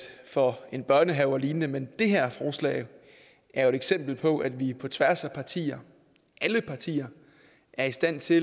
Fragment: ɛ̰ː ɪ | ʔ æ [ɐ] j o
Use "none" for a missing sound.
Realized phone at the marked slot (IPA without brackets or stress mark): ɐ